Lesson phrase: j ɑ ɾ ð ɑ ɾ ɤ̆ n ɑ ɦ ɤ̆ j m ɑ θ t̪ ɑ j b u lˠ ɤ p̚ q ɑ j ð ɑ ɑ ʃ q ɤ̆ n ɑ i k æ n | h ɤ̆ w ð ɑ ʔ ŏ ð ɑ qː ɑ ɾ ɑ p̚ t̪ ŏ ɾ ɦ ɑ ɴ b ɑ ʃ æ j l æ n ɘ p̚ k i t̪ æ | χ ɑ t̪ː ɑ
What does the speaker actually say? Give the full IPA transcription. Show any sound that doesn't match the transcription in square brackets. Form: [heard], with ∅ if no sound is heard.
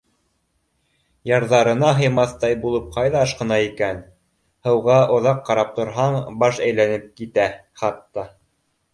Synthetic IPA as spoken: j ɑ ɾ ð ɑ ɾ ɤ̆ n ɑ ɦ ɤ̆ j m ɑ θ t̪ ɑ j b u lˠ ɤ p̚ q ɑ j ð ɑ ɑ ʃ q ɤ̆ n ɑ i k æ n | h ɤ̆ w [ʁ] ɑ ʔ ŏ ð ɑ qː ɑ ɾ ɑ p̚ t̪ ŏ ɾ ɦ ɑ ɴ b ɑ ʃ æ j l æ n ɘ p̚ k i t̪ æ | χ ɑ t̪ː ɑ